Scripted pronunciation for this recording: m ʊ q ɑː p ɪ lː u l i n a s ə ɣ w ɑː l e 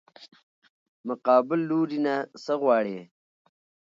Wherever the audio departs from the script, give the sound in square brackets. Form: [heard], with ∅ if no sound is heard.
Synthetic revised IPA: m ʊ q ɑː [b] ɪ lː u [ɾ] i n a s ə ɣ w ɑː [ɽ] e

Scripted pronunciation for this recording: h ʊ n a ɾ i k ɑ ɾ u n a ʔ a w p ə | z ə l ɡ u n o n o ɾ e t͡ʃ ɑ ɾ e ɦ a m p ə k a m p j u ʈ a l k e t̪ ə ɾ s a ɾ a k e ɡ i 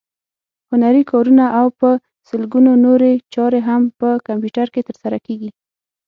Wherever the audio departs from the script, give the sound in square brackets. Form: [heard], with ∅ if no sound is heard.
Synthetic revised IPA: h ʊ n a ɾ i k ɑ ɾ u n a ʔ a w p ə | [s] ə l ɡ u n o n o ɾ e t͡ʃ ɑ ɾ e ɦ a m p ə k a m p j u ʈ a [ɾ] k e t̪ ə ɾ s a ɾ a k e ɡ i

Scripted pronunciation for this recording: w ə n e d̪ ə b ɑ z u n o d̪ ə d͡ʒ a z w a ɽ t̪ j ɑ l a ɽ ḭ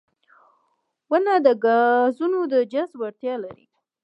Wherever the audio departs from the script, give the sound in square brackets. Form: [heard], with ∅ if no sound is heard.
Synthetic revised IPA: w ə n [a] d̪ ə [ɡ] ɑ z u n o d̪ ə d͡ʒ a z w a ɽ t̪ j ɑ l a [ɾ] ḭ

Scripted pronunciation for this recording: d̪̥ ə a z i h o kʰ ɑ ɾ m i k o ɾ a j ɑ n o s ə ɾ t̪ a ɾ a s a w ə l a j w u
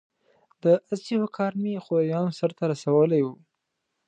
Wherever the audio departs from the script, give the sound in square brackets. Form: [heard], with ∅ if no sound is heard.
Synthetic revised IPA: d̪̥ ə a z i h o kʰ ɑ ɾ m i [x] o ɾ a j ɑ n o s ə ɾ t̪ a ɾ a s a w ə l a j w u

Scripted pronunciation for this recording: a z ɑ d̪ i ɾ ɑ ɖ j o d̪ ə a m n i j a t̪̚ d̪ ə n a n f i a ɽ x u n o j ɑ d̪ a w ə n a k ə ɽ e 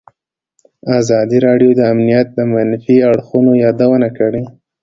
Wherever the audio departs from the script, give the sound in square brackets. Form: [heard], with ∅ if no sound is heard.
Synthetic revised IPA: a z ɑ d̪ i ɾ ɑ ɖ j o d̪ ə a m n i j a t̪̚ d̪ ə [m] a n f i a ɽ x u n o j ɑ d̪ a w ə n a k ə ɽ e

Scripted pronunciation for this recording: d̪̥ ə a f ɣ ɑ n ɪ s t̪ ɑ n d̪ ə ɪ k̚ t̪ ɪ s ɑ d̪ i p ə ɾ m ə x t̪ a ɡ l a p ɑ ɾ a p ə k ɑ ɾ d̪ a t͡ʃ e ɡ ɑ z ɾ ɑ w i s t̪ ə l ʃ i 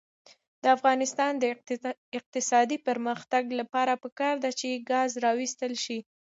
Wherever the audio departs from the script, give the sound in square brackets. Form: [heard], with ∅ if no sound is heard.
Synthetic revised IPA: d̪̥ ə a f ɣ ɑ n ɪ s t̪ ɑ n d̪ ə ɪ [q̚] t̪ ɪ s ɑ d̪ i p ə ɾ m ə x t̪ a ɡ l a p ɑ ɾ a p ə k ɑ ɾ d̪ a t͡ʃ e ɡ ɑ z ɾ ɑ w i s t̪ ə l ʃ i

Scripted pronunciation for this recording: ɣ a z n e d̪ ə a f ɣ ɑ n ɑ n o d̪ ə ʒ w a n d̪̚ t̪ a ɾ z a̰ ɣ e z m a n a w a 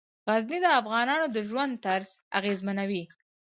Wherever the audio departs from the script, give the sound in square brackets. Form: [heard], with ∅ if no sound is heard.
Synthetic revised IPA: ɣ a z n [i] d̪ ə a f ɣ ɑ n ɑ n o d̪ ə ʒ w a n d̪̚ t̪ a ɾ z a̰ ɣ e z m a n a w [i]

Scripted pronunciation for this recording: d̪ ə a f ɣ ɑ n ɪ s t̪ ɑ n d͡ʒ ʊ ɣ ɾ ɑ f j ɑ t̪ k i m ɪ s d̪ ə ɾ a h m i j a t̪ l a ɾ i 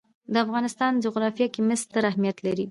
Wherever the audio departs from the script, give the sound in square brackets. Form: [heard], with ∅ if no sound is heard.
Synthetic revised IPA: d̪ ə a f ɣ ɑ n ɪ s t̪ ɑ n d͡ʒ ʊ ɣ ɾ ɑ f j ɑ [∅] k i m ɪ s [t̪] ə ɾ a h m i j a t̪ l a ɾ i

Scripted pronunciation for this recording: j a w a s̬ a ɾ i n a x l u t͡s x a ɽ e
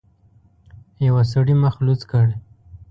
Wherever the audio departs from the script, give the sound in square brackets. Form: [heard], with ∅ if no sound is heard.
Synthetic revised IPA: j a w a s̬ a [ɽ] i [m] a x l u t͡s [k] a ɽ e

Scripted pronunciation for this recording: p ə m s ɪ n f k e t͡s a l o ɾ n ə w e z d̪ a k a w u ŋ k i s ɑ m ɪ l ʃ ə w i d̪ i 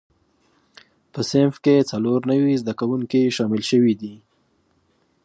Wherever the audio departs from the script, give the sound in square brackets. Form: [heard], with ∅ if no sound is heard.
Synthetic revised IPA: p ə [∅] s ɪ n f k e t͡s a l o ɾ n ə w [i] z d̪ a k a w u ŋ k i [ʃ] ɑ m ɪ l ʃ ə w i d̪ i

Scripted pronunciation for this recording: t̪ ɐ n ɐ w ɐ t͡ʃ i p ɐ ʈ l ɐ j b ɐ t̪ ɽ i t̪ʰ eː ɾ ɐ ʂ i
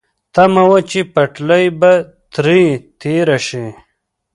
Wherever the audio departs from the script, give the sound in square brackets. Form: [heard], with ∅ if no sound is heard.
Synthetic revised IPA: t̪ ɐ [m] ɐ w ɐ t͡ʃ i p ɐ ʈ l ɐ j b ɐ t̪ [ɾ] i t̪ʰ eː ɾ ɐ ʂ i

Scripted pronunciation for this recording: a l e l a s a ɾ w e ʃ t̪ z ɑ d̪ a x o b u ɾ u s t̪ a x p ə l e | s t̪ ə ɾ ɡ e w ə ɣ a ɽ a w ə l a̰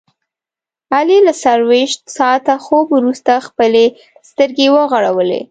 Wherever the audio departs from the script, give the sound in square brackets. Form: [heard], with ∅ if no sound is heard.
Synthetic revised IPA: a l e l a s a ɾ w e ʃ t̪ [s] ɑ [t̪] a x o b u ɾ u s t̪ a x p ə l e | s t̪ ə ɾ ɡ e w ə ɣ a ɽ a w ə l [ḛ]

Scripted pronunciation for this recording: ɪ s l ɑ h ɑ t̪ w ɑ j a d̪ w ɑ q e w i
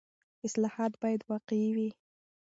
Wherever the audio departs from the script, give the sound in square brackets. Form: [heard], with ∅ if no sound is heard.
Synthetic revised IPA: ɪ s l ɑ h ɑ t̪ [b] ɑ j a d̪ w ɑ q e w i

